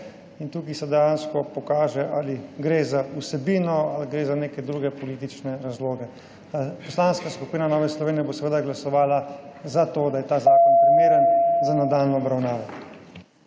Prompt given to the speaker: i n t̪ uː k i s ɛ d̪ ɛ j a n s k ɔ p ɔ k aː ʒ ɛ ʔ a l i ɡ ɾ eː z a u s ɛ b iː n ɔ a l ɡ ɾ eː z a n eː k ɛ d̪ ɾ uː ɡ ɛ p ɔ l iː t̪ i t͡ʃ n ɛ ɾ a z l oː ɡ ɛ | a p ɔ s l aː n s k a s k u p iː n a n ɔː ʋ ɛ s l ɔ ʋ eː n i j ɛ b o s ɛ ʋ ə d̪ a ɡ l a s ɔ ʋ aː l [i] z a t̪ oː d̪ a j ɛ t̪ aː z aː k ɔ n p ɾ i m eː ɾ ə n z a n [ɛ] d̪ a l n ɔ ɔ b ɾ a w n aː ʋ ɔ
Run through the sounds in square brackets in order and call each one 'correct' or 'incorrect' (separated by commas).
incorrect, incorrect